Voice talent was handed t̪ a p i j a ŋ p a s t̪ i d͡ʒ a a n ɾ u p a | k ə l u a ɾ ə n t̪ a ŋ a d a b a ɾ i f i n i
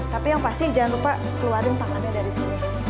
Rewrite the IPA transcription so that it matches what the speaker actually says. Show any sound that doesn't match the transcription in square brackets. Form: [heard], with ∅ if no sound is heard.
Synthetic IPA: t̪ a p i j a ŋ p a s t̪ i d͡ʒ a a n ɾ u p a | k ə l u a ɾ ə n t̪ a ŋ a d a [d] a ɾ i [s] i n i